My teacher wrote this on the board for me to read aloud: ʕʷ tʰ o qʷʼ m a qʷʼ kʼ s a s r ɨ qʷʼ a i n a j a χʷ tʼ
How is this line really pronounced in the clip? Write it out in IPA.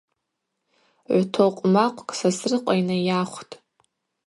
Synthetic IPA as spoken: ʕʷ tʰ o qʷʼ m a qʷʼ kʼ s a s r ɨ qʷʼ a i n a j a χʷ tʼ